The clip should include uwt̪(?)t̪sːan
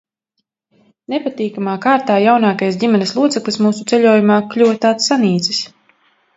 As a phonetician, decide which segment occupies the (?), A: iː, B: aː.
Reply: B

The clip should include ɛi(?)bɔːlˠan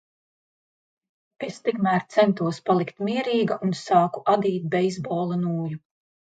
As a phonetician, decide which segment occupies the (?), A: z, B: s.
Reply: A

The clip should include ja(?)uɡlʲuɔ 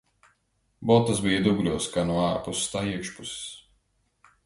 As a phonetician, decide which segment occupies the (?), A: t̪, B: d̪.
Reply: B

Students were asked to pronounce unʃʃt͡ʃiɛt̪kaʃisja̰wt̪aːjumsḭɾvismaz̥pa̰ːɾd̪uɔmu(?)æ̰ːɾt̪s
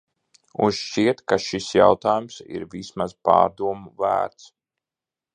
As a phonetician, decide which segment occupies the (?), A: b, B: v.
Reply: B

